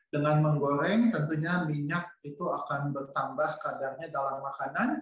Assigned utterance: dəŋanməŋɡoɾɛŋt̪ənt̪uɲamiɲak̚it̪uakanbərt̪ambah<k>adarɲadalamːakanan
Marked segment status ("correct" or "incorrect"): correct